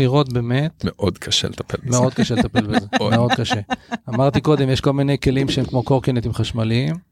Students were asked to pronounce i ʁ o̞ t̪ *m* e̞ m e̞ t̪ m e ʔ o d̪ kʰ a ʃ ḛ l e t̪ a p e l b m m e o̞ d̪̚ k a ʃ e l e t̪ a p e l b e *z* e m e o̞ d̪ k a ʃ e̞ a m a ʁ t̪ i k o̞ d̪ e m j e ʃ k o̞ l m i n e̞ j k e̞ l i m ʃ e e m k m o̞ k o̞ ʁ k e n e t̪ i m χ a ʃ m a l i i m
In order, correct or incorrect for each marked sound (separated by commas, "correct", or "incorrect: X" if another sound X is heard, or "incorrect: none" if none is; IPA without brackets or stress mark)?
incorrect: b, correct